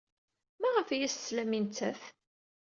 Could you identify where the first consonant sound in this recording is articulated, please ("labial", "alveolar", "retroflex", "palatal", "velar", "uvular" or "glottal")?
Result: labial